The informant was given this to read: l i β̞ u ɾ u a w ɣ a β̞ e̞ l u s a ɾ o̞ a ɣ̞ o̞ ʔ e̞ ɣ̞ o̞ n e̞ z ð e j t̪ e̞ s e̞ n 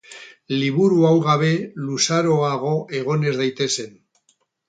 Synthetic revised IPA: l i β̞ u ɾ u a w ɣ a β̞ e̞ l u s a ɾ o̞ a ɣ̞ o̞ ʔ e̞ ɣ̞ o̞ n e̞ z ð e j t̪ e̞ s e̞ n